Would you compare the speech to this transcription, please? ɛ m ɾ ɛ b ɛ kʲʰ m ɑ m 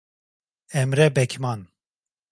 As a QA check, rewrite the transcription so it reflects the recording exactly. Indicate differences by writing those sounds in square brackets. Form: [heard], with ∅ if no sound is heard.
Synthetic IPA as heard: ɛ m ɾ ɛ b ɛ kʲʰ m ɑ [n]